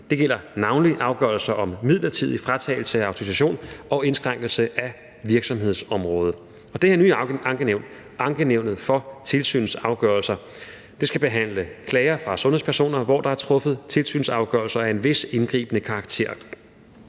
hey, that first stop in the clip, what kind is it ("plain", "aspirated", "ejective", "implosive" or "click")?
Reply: plain